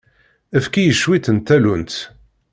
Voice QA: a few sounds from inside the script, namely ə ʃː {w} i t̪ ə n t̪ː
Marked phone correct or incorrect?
correct